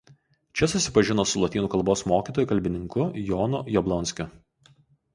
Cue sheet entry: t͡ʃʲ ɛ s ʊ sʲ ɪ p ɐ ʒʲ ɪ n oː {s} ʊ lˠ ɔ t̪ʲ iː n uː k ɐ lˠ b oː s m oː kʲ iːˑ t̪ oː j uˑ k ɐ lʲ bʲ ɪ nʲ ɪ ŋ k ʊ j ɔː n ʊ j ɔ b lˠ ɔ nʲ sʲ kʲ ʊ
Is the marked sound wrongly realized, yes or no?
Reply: no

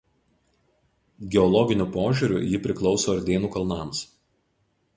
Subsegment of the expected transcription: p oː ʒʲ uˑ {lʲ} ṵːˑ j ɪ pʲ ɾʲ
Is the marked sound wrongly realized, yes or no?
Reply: yes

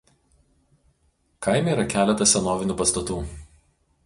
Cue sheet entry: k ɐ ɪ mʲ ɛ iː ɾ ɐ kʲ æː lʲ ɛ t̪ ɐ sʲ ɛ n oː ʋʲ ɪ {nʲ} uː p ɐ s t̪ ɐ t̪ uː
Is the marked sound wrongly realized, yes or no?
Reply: no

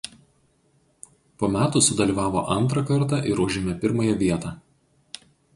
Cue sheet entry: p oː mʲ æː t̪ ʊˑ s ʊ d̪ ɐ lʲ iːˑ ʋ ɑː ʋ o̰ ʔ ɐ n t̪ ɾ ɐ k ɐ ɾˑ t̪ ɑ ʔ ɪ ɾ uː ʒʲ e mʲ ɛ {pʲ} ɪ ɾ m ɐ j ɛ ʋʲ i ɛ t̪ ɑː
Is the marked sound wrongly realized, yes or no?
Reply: no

